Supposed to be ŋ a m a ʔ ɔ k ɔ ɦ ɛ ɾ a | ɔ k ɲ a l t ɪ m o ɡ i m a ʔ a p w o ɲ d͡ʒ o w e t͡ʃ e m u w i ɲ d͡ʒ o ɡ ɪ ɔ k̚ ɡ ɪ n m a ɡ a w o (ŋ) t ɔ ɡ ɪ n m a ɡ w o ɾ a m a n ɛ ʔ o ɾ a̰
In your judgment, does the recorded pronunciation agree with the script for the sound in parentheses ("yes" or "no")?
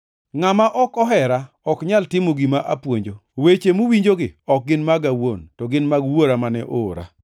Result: no